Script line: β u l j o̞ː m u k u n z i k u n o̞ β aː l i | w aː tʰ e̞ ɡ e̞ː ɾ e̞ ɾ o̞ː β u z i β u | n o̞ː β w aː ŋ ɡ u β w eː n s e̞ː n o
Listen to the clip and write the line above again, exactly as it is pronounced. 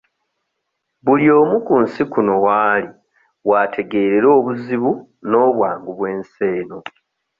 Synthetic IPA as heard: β u l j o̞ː m u k u n s i k u n o̞ w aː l i | w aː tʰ e̞ ɡ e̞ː ɾ e̞ ɾ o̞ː β u z i β u | n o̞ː β w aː ŋ ɡ u β w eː n s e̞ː n o